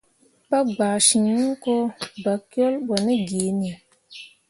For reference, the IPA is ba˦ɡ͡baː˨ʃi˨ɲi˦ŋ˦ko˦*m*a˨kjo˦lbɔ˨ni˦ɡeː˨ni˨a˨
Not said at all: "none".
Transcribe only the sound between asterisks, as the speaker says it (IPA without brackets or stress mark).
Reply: b